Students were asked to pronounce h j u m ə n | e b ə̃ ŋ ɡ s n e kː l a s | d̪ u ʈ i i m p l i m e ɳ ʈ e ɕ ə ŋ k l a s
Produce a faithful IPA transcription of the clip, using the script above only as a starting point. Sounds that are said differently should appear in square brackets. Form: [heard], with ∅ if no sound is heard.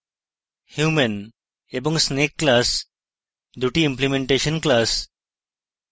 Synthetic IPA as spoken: h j u m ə n | e b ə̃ ŋ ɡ s n e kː l a s | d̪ u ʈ i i m p l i m e ɳ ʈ e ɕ ə [n] k l a s